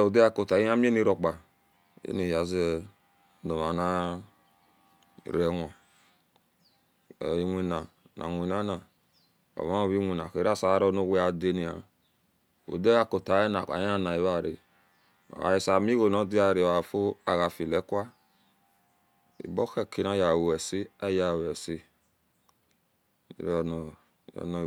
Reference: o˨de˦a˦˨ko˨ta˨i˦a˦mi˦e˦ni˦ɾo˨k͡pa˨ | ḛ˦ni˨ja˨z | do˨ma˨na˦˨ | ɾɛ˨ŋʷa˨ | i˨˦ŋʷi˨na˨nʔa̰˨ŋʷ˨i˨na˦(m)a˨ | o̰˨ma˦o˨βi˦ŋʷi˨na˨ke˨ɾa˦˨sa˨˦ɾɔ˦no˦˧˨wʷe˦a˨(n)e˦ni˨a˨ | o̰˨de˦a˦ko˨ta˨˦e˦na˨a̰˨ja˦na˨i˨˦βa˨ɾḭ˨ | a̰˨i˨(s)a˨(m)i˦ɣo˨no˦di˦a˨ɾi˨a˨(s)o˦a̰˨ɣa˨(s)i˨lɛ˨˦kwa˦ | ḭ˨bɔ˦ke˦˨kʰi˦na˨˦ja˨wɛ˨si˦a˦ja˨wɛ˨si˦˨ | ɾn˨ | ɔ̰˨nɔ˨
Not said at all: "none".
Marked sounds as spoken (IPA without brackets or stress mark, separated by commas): n, d, s, m, f, f